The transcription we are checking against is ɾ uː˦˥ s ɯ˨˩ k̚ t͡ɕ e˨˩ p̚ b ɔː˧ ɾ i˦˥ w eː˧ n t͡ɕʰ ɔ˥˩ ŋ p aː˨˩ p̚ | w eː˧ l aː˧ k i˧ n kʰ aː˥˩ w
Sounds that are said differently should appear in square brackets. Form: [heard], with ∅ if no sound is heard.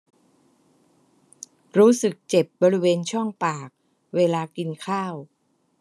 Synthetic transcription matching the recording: ɾ uː˦˥ s ɯ˨˩ k̚ t͡ɕ e˨˩ p̚ b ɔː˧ ɾ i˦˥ w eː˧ n t͡ɕʰ ɔ˥˩ ŋ p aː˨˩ [k̚] | w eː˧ l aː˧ k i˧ n kʰ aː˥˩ w

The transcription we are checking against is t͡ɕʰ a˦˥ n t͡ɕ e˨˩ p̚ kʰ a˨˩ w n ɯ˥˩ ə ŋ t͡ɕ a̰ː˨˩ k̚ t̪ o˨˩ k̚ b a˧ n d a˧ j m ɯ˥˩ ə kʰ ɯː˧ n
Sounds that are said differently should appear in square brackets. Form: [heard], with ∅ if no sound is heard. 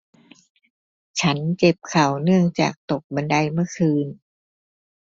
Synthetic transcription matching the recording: t͡ɕʰ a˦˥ n t͡ɕ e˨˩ p̚ kʰ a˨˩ w n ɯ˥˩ ə ŋ t͡ɕ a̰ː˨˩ k̚ t̪ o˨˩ k̚ b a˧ n d a˧ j m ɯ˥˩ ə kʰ ɯː˧ n

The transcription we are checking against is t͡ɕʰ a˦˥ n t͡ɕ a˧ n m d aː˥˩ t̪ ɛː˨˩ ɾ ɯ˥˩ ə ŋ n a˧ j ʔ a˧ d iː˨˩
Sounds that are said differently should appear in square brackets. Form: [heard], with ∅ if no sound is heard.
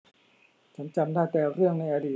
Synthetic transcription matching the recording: t͡ɕʰ a˦˥ n t͡ɕ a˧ [∅] m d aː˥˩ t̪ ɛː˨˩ ɾ ɯ˥˩ ə ŋ n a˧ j ʔ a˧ d iː˨˩

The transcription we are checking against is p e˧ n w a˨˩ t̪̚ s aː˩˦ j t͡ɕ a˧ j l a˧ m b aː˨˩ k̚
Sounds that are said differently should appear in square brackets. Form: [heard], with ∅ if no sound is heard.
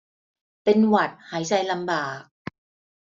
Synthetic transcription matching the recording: p e˧ n w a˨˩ t̪̚ [h] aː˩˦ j t͡ɕ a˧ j l a˧ m b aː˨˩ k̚

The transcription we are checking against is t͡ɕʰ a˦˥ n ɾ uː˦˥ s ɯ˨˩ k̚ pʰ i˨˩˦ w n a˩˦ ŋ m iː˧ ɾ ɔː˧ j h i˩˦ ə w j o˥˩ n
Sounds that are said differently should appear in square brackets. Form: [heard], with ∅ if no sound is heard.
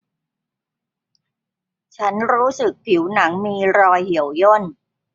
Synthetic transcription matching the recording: t͡ɕʰ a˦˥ n ɾ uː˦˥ s ɯ˨˩ k̚ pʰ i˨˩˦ w n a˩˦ ŋ m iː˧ ɾ ɔː˧ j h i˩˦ ə w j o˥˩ n

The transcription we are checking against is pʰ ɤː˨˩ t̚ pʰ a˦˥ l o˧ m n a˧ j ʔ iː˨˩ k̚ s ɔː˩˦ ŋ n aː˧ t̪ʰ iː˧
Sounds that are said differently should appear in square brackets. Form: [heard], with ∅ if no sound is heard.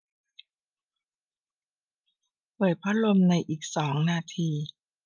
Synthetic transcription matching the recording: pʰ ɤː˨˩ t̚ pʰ a˦˥ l o˧ m n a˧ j ʔ iː˨˩ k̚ s ɔː˩˦ ŋ n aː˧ t̪ʰ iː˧

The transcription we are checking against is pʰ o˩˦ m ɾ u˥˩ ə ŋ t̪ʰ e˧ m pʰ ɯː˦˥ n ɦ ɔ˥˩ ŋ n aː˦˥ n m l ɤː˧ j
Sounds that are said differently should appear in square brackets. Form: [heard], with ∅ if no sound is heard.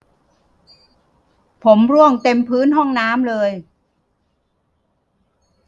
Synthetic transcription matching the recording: pʰ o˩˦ m ɾ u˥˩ ə ŋ [t̪] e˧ m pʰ ɯː˦˥ n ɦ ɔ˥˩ ŋ n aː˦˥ [∅] m l ɤː˧ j

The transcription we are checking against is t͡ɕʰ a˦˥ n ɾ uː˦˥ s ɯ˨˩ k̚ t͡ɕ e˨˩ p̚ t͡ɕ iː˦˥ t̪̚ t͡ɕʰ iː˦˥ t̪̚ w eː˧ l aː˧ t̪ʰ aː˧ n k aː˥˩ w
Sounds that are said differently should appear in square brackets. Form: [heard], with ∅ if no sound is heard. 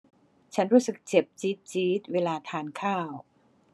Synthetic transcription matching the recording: t͡ɕʰ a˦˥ n ɾ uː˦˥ s ɯ˨˩ k̚ t͡ɕ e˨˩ p̚ t͡ɕ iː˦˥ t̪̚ [t͡ɕ] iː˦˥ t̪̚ w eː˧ l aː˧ t̪ʰ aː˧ n [kʰ] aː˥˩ w

